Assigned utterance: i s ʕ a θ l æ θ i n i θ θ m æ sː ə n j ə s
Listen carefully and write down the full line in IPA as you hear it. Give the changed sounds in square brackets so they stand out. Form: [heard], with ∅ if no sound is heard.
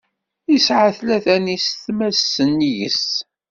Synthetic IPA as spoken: i s ʕ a θ l æ θ [æ] n i [s] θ m æ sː ə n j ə s